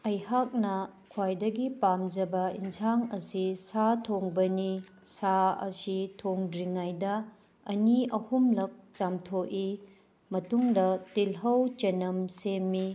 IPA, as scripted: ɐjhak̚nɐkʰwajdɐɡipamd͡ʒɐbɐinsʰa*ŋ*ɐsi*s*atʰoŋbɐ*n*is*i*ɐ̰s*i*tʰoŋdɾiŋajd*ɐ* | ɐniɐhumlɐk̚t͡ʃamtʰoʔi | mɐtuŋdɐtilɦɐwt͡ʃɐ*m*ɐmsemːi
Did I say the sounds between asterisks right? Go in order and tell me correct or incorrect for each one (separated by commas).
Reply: correct, correct, correct, incorrect, correct, correct, incorrect